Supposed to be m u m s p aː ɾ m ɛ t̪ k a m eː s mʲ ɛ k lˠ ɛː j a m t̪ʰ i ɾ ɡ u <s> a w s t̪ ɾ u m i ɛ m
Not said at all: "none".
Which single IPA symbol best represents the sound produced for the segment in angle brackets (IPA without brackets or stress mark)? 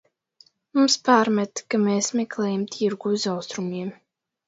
z